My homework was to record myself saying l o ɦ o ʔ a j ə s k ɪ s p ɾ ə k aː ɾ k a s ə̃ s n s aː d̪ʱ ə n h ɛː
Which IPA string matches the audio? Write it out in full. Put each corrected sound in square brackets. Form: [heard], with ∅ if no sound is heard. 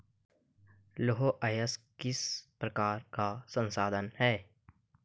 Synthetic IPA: l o ɦ o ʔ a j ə s k ɪ s p ɾ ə k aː ɾ k a s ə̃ [∅] n s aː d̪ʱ ə n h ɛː